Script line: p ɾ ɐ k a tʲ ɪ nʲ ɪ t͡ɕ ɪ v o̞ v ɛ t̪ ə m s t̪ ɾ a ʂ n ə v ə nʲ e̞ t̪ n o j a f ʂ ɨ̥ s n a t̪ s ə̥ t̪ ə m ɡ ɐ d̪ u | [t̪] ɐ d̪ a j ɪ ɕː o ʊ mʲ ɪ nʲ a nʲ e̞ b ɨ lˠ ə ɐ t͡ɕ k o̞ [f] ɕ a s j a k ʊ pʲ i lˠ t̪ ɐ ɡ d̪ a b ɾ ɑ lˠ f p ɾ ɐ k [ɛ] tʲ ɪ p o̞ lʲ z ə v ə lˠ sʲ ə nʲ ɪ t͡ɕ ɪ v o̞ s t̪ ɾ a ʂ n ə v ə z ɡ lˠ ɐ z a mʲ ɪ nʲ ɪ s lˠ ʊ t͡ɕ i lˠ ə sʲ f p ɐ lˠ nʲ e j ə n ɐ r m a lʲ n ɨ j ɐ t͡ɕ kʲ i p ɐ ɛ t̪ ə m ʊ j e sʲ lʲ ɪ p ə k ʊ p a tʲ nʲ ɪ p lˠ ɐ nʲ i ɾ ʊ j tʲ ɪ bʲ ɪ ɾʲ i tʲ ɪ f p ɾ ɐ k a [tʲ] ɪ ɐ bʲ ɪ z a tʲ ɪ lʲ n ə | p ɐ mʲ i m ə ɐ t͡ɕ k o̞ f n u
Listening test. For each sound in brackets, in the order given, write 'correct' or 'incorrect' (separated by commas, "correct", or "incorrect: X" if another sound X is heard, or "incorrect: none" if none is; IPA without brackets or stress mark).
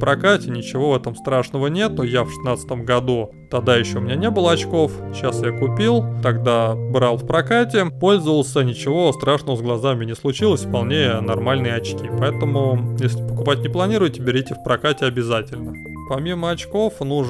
correct, correct, incorrect: a, correct